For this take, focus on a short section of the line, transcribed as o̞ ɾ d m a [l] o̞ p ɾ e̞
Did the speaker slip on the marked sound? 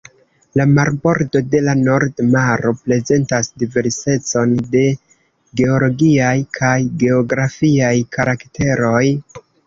yes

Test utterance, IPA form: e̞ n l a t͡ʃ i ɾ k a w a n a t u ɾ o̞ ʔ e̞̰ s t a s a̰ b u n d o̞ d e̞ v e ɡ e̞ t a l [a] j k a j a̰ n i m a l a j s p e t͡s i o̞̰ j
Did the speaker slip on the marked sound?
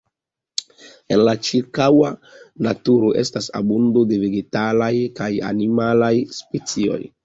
no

